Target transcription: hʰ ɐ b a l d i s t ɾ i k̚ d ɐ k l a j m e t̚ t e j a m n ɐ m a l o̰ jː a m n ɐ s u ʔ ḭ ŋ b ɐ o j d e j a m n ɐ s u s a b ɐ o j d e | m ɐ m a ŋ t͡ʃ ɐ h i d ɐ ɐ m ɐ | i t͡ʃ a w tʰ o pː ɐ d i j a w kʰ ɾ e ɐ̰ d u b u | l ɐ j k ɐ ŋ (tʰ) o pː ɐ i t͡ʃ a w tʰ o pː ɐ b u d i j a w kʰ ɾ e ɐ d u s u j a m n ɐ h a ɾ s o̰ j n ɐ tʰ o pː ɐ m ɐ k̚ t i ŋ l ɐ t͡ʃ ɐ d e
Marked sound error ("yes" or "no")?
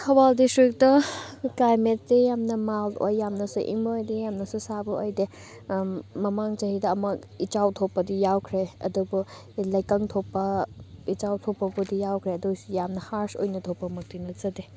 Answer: no